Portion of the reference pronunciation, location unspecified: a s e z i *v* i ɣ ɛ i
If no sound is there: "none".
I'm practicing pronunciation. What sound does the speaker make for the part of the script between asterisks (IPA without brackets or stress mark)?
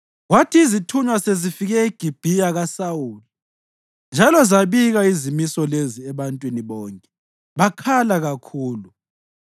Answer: f